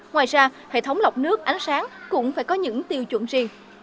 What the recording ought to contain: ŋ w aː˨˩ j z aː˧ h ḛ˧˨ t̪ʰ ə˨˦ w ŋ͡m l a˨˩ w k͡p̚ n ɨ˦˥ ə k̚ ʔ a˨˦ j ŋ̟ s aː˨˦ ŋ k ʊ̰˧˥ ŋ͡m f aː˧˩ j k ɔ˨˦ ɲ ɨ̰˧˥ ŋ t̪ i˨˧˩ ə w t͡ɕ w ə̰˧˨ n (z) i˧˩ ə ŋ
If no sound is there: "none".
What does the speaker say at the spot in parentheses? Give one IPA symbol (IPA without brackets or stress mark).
z